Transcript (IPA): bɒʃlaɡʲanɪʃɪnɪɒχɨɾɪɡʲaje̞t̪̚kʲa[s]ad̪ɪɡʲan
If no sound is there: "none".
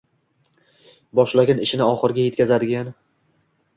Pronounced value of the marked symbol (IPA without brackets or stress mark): z